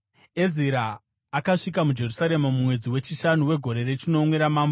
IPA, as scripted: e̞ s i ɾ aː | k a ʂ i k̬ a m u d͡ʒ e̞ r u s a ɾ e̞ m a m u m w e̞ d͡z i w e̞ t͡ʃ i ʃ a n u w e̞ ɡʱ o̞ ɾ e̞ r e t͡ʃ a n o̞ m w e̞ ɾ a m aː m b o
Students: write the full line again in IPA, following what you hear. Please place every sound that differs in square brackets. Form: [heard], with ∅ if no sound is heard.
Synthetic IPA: e̞ [z] i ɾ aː | k a ʂ i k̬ a m u d͡ʒ e̞ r u s a ɾ e̞ m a m u m w e̞ d͡z i w e̞ t͡ʃ i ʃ a n u w e̞ ɡʱ o̞ ɾ e̞ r e t͡ʃ [i] n o̞ m w e̞ ɾ a m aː m b o